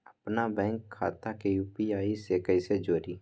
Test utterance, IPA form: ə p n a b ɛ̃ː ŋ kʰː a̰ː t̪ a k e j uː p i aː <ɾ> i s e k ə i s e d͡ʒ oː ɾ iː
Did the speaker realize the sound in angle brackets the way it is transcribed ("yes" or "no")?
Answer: no